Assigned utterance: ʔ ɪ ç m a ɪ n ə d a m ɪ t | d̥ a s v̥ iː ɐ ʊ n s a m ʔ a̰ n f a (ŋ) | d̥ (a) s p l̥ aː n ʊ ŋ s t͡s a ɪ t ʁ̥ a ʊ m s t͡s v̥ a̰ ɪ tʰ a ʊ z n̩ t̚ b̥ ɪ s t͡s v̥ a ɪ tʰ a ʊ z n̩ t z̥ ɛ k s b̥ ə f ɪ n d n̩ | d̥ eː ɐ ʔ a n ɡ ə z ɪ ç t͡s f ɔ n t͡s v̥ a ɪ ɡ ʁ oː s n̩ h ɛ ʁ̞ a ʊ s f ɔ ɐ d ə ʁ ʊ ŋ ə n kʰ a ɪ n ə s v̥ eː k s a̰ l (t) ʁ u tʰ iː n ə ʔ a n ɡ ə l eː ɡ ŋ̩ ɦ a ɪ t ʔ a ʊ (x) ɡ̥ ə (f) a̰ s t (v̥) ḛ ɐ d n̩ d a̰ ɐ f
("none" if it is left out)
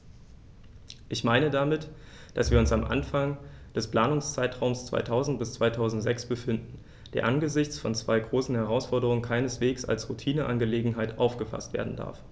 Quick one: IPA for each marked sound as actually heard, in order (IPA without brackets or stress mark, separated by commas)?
ŋ, ɛ, s, f, f, v̥